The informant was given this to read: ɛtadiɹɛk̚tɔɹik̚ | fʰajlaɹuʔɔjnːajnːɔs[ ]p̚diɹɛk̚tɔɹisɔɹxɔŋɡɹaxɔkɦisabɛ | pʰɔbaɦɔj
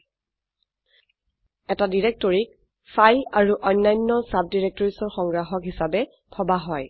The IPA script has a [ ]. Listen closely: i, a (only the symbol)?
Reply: a